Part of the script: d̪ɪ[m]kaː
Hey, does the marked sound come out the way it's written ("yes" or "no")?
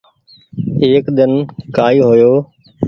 no